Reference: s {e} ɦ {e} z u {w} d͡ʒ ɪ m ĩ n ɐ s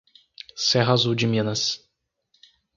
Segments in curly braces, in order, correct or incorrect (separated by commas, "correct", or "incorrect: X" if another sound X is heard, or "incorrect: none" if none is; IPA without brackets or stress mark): incorrect: ɛ, incorrect: a, correct